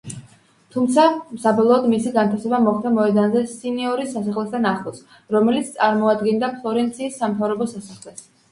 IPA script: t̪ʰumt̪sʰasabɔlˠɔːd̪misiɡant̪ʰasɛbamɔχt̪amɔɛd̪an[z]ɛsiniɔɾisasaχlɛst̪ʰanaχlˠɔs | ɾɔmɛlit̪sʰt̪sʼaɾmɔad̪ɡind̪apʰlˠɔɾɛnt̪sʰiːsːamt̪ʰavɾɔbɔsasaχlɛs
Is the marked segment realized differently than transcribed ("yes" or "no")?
no